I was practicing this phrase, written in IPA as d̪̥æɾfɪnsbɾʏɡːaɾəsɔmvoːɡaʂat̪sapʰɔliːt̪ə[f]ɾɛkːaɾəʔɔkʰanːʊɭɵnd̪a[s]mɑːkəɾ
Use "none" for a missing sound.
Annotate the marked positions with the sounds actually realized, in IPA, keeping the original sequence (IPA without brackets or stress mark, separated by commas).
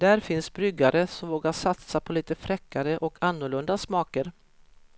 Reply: f, s